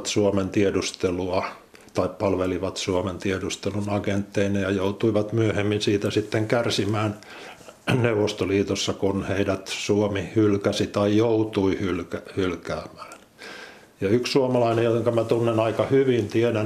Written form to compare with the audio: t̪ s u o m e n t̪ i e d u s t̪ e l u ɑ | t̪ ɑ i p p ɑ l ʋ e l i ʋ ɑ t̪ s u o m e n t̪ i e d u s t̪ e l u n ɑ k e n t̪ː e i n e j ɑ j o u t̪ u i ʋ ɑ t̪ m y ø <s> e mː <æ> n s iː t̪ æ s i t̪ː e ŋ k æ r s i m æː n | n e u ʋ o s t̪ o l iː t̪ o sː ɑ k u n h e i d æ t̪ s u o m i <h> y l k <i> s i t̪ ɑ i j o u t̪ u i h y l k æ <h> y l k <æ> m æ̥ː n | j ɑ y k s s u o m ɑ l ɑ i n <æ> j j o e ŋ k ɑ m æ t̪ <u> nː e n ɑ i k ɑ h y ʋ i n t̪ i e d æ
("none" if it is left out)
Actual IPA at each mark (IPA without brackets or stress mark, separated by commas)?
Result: h, i, h, æ, h, æː, e, u